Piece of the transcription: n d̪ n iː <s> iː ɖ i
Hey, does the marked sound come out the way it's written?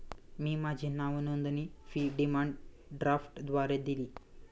no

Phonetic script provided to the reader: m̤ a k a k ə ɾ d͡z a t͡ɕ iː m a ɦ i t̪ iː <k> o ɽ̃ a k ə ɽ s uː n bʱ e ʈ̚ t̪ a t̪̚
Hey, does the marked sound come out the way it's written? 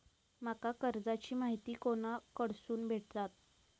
yes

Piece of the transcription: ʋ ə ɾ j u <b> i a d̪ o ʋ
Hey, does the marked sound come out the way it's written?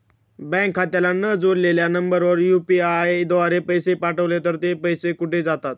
no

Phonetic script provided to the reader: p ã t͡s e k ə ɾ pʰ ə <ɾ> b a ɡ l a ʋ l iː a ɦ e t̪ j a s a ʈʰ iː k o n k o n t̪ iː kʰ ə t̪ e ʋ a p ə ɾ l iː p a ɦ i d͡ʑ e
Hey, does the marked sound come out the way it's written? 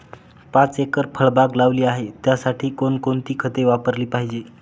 no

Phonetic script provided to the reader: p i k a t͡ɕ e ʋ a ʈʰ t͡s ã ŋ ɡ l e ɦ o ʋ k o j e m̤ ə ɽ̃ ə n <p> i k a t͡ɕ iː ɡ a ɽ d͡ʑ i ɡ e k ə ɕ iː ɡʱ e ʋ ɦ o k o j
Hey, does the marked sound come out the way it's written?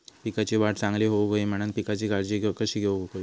yes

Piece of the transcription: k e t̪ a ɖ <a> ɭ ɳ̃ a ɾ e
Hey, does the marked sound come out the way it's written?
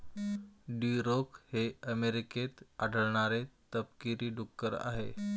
no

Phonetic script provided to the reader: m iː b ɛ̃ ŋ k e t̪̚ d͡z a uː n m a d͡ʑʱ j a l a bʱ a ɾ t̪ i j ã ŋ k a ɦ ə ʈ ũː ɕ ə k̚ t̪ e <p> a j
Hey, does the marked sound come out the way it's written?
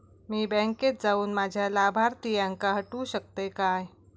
no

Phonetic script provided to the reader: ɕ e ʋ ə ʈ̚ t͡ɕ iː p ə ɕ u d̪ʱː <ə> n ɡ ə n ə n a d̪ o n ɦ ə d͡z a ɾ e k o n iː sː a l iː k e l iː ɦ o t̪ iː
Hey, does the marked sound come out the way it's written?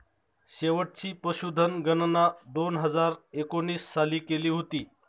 yes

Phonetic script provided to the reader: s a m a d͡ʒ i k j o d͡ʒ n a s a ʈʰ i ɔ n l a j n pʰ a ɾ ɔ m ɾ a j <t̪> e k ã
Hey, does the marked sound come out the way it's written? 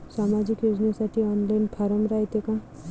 yes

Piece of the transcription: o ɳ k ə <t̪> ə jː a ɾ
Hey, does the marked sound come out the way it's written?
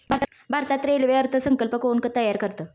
yes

